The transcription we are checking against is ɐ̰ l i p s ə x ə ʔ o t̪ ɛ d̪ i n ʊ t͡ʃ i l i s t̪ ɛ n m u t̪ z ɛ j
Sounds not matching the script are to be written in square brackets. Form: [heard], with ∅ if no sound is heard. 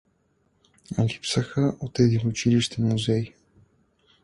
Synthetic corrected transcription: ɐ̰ l i p s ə x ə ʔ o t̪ ɛ d̪ i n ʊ t͡ʃ i l i [ʃ] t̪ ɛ n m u [∅] z ɛ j